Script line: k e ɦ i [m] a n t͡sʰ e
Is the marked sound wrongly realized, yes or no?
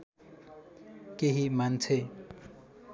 no